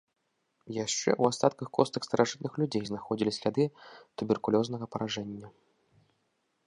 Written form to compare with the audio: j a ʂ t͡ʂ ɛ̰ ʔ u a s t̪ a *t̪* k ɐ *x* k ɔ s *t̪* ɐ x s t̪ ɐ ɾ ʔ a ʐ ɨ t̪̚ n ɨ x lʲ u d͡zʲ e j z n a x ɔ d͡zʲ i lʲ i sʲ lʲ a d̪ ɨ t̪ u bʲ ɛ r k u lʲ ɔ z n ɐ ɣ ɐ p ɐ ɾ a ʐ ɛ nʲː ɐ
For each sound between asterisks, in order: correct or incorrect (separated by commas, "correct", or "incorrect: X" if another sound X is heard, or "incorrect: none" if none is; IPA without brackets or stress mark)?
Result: correct, correct, correct